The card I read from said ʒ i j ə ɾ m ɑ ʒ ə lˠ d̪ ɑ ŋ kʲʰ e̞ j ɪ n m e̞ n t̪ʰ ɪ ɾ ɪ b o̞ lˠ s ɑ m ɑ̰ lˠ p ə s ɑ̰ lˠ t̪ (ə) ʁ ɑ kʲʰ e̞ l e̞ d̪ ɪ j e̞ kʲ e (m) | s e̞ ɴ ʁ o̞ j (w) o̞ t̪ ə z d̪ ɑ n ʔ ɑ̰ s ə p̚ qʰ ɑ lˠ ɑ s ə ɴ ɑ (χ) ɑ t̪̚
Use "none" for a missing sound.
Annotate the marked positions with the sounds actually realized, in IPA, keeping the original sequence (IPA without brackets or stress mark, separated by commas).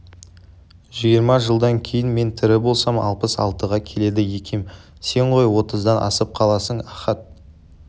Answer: ə, m, w, χ